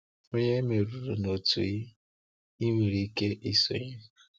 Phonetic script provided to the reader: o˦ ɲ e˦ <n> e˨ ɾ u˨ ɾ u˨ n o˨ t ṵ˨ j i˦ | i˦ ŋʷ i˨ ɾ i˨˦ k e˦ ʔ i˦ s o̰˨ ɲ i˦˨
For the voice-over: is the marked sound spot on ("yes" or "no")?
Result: no